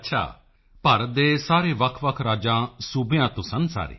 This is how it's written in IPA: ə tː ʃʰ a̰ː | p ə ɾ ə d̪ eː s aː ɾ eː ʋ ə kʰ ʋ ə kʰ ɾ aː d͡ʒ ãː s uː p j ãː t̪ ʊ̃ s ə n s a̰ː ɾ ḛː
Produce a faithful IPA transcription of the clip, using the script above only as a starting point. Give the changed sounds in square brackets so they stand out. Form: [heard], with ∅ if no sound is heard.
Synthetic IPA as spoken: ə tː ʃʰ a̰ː | p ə ɾ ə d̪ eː s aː ɾ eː ʋ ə kʰ ʋ ə kʰ ɾ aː d͡ʒ ãː s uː [b] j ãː t̪ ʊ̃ s ə n s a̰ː ɾ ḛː